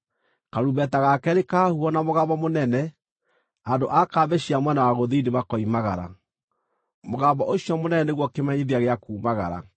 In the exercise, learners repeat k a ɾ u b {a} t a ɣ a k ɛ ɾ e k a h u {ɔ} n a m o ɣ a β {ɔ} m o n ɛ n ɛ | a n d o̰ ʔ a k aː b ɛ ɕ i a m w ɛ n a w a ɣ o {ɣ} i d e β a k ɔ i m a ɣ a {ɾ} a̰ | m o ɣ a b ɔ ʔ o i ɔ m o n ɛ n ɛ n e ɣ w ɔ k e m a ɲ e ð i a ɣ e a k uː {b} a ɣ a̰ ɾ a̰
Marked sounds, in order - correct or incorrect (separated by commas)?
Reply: incorrect, correct, correct, incorrect, correct, incorrect